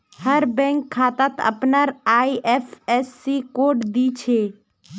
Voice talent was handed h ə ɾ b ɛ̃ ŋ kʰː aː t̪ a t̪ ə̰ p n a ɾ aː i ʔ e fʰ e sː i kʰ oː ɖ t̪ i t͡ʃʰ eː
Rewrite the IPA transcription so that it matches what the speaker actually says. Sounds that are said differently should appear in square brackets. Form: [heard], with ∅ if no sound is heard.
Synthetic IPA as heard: h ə ɾ b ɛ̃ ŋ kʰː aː t̪ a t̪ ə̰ p n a ɾ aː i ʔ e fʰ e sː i [k] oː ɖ [d̪] i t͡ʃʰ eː